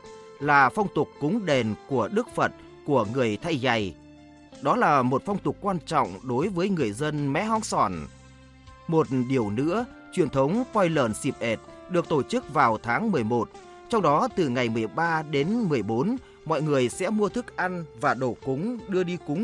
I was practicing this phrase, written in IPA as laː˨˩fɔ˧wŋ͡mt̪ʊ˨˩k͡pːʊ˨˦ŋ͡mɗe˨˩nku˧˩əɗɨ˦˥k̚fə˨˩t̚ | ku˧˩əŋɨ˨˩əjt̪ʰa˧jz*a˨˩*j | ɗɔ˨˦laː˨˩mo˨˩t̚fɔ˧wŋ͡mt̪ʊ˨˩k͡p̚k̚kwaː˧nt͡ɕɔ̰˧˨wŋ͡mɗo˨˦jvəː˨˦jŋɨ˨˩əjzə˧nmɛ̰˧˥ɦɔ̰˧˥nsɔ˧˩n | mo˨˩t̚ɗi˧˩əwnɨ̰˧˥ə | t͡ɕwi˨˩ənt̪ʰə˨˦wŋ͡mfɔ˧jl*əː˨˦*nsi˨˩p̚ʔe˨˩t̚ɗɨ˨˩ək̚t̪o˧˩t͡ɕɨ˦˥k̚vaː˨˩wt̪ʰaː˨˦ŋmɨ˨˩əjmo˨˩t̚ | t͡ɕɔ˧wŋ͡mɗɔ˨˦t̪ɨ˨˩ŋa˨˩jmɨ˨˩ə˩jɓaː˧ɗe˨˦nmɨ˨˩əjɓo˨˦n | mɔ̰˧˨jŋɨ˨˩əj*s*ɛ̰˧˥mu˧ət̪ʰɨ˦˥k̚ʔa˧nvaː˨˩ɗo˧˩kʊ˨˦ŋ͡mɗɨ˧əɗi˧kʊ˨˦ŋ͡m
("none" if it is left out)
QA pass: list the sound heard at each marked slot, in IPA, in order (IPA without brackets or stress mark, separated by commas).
a˨˩, əː˧˩, s